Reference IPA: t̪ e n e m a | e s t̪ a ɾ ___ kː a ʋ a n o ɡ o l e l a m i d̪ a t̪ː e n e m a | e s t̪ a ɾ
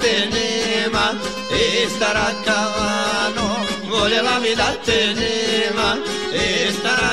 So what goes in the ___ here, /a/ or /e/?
a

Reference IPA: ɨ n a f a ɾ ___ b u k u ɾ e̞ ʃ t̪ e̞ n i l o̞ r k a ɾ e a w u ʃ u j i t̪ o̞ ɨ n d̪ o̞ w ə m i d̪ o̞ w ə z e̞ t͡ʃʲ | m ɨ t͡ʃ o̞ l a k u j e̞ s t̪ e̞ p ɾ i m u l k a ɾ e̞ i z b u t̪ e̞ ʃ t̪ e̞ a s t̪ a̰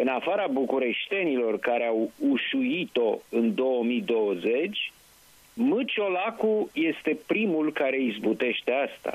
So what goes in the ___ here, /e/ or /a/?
a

